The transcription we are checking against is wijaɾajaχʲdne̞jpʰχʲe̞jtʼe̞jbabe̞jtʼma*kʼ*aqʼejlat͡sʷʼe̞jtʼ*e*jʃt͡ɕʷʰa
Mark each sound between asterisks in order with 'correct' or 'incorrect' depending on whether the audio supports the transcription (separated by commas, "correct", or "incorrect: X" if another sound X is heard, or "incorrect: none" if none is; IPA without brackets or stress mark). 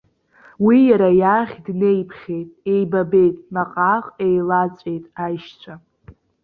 incorrect: qʼ, incorrect: a